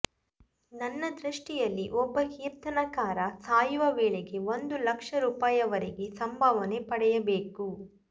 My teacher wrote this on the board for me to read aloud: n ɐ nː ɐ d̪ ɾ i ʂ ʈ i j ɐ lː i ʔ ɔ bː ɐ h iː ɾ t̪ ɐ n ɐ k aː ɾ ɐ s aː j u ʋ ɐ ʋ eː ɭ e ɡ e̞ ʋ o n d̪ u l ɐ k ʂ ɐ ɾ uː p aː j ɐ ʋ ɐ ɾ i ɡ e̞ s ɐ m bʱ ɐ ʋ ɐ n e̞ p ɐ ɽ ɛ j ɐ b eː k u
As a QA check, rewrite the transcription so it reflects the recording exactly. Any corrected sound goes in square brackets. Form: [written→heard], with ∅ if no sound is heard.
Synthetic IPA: n ɐ nː ɐ d̪ ɾ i ʂ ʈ i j ɐ lː i ʔ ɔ bː ɐ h iː ɾ t̪ ɐ n ɐ k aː ɾ ɐ s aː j u ʋ ɐ ʋ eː ɭ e ɡ e̞ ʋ o n d̪ u l ɐ k ʂ ɐ ɾ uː p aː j ɐ ʋ ɐ ɾ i ɡ e̞ s ɐ m bʱ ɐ ʋ ɐ n e̞ p ɐ ɽ ɛ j ɐ b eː k u